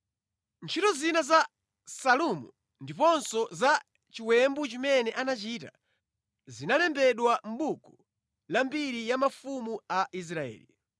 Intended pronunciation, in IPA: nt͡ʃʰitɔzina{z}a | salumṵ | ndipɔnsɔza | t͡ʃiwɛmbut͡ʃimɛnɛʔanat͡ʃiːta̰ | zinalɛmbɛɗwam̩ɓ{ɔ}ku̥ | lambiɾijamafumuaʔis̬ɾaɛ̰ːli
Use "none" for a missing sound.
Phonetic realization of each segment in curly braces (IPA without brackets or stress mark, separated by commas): z, u